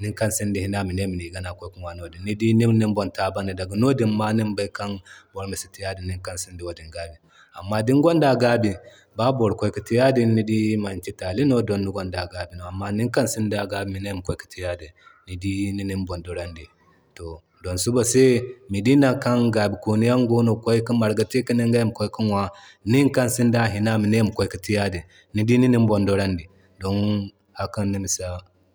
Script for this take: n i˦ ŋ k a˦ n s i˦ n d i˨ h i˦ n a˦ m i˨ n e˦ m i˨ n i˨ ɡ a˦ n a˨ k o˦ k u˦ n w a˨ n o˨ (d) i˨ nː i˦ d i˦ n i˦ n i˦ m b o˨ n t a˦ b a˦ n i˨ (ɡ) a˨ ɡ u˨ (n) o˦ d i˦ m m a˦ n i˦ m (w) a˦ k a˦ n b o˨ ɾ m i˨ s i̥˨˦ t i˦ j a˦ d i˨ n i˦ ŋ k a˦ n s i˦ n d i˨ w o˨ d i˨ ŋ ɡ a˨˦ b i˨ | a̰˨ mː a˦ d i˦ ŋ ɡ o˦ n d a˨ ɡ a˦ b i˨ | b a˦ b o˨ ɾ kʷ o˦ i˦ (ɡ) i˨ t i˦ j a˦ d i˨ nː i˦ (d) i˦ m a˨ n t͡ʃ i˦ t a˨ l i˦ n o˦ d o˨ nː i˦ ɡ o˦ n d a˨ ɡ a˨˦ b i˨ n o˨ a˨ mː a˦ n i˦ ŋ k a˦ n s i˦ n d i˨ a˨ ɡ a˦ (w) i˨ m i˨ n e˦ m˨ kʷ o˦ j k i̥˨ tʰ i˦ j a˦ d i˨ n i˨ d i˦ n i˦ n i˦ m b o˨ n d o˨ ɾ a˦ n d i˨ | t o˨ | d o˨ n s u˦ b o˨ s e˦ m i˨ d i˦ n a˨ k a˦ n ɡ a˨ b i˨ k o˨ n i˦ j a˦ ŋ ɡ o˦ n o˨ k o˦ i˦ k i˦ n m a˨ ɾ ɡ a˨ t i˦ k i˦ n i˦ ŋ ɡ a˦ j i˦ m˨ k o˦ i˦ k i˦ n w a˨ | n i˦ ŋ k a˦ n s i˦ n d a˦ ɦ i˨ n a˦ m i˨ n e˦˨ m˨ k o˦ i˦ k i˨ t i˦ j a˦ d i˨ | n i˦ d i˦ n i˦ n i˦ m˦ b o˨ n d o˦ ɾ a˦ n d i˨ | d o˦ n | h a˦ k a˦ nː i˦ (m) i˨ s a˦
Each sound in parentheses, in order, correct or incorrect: correct, incorrect, correct, incorrect, incorrect, correct, incorrect, correct

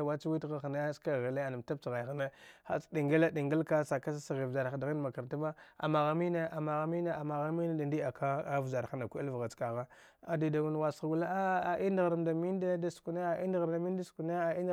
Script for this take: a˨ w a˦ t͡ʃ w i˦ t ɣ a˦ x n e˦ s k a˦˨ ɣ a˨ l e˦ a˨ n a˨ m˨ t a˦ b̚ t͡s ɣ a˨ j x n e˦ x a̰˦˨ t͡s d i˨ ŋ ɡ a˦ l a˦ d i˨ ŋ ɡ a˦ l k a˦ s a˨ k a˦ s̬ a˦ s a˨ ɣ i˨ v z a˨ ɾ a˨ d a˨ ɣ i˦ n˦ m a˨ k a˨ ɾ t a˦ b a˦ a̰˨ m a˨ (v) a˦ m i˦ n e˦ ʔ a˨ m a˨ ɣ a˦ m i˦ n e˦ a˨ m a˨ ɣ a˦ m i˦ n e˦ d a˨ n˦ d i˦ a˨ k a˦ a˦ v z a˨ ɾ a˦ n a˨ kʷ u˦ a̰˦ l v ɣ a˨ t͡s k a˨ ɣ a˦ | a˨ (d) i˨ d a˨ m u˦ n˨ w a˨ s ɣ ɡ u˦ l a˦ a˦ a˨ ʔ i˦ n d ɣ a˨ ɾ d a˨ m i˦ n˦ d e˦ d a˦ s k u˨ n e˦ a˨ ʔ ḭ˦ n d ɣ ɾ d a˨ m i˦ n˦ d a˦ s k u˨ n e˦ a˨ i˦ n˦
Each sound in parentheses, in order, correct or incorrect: incorrect, correct

